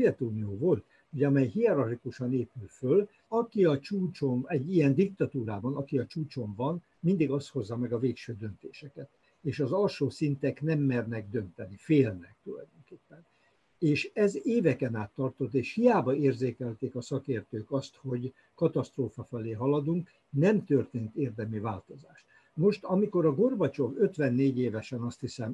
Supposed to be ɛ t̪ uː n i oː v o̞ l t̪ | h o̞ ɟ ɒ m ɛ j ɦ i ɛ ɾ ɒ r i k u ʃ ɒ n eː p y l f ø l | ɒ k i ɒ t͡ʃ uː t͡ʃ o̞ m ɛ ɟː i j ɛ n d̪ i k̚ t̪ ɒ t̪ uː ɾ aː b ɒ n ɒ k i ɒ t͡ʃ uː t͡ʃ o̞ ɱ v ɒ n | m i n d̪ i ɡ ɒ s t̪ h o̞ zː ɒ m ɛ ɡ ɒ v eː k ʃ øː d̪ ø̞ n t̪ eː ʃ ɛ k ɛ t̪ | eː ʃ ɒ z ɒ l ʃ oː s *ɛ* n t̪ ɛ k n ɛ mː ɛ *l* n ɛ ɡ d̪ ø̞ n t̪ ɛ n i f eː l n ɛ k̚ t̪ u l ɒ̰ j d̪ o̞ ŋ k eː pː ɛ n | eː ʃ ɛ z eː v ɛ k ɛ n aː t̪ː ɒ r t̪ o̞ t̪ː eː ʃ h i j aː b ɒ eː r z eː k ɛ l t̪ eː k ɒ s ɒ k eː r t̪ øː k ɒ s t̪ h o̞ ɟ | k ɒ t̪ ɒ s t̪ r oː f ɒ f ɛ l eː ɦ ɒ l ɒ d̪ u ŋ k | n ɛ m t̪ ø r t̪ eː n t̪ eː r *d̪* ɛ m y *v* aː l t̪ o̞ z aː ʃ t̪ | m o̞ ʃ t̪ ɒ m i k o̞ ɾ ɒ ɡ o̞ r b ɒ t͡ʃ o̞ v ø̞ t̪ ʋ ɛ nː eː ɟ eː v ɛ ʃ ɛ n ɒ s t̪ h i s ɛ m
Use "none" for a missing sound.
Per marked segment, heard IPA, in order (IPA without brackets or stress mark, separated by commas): i, r, d̪, v